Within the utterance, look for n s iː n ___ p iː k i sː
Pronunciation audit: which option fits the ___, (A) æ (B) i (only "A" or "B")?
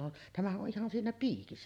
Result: A